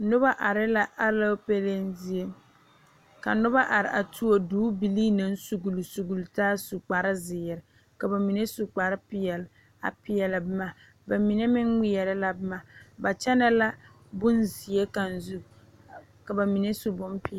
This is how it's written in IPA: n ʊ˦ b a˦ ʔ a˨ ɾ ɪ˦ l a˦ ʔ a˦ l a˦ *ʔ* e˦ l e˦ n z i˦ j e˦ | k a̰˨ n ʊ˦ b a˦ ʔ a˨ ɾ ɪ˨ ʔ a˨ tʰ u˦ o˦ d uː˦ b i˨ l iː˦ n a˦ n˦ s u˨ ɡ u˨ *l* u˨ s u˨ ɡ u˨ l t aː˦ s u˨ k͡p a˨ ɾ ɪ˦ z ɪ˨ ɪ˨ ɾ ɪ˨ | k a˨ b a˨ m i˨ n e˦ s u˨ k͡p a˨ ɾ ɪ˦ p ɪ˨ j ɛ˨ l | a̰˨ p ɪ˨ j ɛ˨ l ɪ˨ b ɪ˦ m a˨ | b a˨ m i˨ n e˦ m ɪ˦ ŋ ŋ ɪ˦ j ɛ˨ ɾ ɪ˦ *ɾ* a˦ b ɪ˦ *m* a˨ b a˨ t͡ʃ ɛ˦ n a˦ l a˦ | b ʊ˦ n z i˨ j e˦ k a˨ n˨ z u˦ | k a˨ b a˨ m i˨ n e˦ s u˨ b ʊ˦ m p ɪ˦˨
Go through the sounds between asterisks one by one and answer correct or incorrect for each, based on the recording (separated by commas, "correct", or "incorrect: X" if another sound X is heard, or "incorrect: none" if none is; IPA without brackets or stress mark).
incorrect: p, correct, incorrect: l, correct